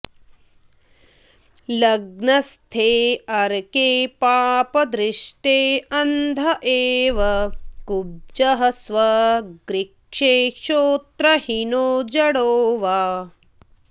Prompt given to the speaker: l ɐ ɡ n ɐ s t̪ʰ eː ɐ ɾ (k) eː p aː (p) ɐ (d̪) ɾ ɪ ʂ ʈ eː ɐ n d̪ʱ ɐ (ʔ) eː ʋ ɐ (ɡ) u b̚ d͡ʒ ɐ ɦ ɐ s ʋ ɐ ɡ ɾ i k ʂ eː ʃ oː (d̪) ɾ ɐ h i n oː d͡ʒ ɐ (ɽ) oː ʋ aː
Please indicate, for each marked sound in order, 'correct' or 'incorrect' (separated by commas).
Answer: correct, correct, correct, correct, incorrect, incorrect, correct